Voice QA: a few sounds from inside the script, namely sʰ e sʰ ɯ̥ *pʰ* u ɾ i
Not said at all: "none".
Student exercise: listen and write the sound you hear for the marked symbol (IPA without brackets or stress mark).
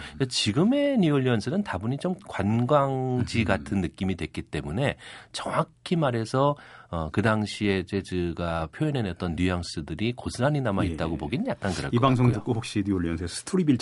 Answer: tʰ